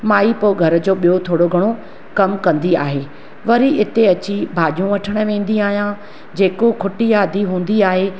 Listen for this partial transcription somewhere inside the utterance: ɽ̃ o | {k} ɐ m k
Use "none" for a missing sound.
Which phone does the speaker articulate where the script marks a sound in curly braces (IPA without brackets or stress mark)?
k